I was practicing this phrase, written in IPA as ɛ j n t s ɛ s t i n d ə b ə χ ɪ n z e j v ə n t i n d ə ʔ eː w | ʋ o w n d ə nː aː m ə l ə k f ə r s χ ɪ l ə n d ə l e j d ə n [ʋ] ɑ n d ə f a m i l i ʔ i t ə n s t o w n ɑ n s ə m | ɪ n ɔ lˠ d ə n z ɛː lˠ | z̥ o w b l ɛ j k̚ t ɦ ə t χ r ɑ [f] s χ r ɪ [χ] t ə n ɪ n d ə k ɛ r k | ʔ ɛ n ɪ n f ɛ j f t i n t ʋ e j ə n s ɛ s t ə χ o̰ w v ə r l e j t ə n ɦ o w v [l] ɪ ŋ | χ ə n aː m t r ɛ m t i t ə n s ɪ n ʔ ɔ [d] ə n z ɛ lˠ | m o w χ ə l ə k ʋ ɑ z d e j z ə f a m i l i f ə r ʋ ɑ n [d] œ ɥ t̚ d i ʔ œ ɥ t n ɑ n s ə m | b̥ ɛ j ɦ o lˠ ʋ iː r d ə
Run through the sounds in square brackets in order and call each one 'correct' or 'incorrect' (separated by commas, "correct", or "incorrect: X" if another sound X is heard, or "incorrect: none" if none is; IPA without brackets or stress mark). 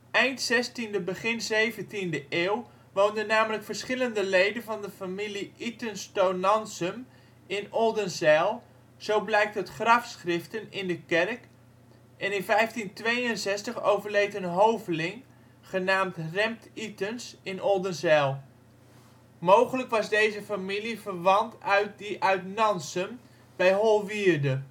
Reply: incorrect: v, correct, incorrect: f, correct, correct, incorrect: t